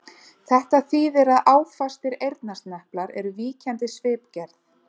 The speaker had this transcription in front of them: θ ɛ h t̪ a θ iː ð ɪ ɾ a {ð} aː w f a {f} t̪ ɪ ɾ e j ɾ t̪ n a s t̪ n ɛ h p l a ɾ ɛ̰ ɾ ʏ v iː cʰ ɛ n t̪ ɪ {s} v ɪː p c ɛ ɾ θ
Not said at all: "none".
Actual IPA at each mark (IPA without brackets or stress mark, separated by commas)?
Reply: ð, s, s